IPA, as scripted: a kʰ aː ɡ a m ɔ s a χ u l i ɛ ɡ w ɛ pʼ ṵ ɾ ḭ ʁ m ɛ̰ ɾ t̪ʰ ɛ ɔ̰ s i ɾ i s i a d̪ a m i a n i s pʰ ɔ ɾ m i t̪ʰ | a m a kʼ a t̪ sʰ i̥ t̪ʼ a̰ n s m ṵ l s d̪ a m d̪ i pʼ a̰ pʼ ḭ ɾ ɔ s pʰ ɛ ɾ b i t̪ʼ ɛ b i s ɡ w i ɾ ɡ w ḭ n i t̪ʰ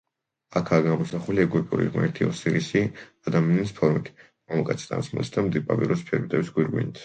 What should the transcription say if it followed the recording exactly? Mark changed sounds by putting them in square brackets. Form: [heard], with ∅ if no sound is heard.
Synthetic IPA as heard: a kʰ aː ɡ a m ɔ s a χ u l i ɛ ɡ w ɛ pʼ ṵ ɾ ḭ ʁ m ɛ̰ ɾ t̪ʰ [i] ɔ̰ s i ɾ i s i a d̪ a m i a n i s pʰ ɔ ɾ m i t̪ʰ | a m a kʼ a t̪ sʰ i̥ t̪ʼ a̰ n s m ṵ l s d̪ a m d̪ i pʼ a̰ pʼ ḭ ɾ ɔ s pʰ ɛ ɾ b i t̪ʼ ɛ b i s ɡ w i ɾ ɡ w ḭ n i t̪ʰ